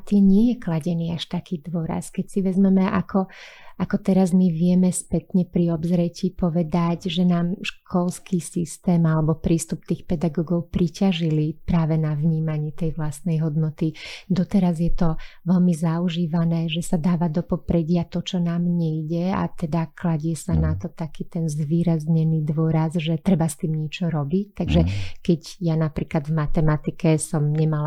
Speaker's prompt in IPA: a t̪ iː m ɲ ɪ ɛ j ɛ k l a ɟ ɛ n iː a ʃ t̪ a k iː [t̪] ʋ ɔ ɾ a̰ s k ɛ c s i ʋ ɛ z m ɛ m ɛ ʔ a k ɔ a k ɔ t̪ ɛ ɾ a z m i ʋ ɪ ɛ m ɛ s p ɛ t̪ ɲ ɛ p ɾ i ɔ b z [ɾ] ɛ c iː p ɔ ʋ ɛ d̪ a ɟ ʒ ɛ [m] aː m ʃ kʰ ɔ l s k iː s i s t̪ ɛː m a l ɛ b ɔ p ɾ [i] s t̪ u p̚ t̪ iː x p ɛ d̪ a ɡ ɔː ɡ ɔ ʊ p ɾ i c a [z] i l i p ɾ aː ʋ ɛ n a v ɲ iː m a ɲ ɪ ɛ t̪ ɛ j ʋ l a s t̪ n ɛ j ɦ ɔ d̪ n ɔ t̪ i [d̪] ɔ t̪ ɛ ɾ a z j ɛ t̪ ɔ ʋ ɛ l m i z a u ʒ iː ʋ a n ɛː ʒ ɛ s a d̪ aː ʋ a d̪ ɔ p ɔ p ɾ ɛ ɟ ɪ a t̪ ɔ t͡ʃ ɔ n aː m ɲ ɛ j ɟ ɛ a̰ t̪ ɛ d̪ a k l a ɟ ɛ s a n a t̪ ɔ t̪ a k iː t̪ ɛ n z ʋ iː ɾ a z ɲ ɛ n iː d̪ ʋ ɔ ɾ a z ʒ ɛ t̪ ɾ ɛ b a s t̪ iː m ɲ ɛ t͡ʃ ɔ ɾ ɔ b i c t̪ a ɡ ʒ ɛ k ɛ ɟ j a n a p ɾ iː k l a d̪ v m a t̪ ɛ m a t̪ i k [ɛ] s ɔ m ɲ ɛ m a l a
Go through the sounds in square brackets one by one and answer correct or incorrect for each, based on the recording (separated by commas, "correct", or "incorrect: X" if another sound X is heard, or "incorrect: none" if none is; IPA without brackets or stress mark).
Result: incorrect: d̪, correct, incorrect: n, incorrect: iː, incorrect: ʒ, correct, correct